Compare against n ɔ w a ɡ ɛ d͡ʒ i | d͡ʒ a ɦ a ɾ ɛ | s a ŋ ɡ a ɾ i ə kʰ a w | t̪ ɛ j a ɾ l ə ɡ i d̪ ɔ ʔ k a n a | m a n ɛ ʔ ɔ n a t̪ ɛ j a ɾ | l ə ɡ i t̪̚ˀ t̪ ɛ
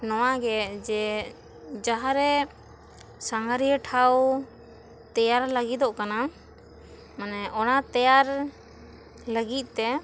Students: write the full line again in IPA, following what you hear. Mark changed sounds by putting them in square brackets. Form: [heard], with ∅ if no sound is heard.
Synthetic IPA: n ɔ w a ɡ ɛ d͡ʒ [ɛ] | d͡ʒ a ɦ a ɾ ɛ | s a ŋ ɡ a ɾ i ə [ʈʰ] a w | t̪ ɛ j a ɾ l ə ɡ i d̪ ɔ ʔ k a n a | m a n ɛ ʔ ɔ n a t̪ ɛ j a ɾ | l ə ɡ i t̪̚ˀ t̪ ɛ